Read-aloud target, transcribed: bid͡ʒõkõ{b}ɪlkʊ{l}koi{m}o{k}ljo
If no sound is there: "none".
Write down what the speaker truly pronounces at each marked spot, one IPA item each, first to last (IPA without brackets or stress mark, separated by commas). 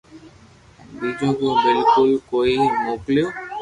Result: b, l, m, k